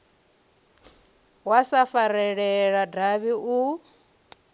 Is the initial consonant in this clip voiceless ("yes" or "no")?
no